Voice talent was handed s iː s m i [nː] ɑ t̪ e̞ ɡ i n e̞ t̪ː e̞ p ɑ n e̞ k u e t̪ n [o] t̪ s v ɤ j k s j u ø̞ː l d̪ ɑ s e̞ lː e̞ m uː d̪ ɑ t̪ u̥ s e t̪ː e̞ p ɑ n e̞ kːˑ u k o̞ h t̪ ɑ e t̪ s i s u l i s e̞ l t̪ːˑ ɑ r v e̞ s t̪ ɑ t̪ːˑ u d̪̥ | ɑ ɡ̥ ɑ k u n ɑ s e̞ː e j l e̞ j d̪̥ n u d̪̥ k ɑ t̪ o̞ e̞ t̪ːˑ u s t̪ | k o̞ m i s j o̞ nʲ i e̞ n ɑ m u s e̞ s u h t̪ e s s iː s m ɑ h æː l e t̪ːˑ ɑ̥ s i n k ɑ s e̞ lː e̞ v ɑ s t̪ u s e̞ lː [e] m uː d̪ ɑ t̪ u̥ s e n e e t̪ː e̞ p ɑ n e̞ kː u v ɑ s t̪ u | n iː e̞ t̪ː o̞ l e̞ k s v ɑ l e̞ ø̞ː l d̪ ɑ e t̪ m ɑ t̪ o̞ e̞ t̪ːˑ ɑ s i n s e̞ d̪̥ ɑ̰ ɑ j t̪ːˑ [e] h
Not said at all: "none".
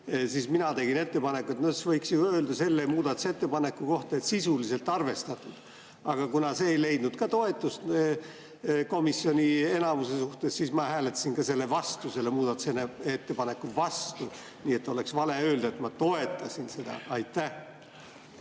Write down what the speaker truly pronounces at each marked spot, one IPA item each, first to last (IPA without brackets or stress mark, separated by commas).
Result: n, o, e, æ